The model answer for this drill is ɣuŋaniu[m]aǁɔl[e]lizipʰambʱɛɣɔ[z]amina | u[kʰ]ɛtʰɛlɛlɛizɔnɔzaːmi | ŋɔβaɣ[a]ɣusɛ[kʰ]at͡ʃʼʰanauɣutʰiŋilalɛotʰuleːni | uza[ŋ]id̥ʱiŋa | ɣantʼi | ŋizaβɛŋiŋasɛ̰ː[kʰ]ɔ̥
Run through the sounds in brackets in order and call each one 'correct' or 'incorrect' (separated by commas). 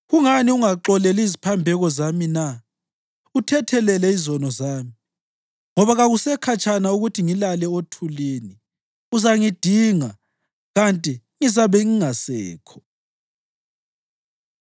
incorrect, incorrect, correct, incorrect, correct, correct, correct, correct